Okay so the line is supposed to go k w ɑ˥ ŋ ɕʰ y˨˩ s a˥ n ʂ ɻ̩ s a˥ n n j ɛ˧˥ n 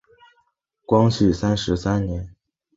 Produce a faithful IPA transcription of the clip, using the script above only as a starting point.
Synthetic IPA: k w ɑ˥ ŋ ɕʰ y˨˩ s a˥ n ʂ ɻ̩ s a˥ n n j ɛ˧˥ n